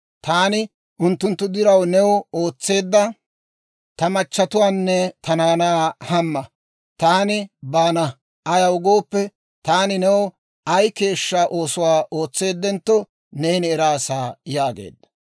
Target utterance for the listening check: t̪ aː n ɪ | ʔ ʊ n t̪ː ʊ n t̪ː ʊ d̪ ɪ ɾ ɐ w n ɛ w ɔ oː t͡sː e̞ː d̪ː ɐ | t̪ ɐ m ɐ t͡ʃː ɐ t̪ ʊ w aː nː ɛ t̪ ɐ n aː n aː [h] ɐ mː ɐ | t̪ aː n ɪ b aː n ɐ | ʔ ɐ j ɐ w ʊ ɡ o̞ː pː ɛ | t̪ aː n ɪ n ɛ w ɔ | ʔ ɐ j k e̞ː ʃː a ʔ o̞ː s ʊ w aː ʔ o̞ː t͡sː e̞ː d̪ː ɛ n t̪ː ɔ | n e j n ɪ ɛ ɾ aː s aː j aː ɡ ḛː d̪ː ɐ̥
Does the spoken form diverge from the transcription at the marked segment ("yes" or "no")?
no